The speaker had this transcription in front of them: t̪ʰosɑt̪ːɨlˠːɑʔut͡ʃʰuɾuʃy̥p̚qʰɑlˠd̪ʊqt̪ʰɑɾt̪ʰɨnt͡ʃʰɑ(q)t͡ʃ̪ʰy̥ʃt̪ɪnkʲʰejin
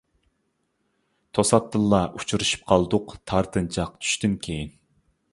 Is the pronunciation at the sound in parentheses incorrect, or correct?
correct